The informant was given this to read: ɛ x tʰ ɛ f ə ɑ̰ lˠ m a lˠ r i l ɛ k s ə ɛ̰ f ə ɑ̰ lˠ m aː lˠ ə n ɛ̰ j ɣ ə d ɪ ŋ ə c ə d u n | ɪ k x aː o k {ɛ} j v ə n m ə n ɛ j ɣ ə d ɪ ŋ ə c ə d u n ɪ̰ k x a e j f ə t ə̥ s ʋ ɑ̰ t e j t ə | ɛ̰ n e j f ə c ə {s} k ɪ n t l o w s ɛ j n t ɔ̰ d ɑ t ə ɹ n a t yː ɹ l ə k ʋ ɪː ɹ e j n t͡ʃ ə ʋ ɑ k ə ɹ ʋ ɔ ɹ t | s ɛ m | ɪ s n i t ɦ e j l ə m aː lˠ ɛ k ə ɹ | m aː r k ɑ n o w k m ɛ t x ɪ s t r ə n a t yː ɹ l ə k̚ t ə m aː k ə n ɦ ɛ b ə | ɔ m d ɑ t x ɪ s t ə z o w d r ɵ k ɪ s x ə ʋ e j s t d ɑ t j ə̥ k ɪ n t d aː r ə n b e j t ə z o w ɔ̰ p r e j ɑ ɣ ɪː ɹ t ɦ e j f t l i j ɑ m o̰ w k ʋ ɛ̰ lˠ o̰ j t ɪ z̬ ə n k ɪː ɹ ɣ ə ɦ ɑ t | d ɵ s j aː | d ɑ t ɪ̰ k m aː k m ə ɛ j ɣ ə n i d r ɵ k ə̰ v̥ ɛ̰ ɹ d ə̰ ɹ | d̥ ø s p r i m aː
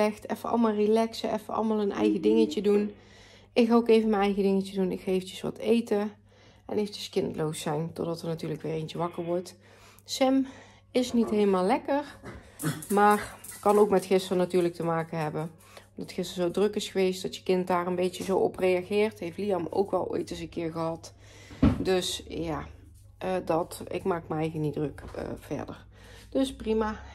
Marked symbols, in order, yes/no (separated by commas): no, yes